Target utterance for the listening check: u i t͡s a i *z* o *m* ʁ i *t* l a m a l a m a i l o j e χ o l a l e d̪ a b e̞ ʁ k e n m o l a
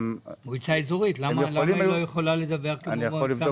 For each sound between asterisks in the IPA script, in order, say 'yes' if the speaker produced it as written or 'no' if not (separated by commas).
yes, no, yes